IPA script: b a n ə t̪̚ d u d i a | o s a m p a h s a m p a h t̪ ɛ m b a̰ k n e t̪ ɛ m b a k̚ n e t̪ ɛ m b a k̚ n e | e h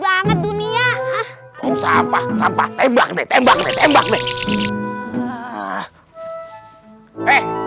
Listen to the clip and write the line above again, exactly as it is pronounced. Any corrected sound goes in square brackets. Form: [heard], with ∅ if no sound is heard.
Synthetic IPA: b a [ŋ] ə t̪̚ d u [n] i a | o s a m p a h s a m p a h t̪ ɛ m b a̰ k n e t̪ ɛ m b a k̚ n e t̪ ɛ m b a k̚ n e | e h